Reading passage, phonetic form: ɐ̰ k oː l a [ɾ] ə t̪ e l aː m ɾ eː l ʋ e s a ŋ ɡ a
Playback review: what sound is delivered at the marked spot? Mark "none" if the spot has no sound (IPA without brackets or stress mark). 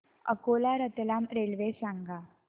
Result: ɾ